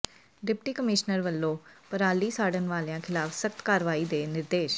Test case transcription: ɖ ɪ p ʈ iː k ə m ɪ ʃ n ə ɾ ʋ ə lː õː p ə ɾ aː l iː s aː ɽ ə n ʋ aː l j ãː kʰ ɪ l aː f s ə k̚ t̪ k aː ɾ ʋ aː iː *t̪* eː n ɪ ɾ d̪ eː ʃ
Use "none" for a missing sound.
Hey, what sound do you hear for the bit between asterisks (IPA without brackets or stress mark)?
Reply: d̪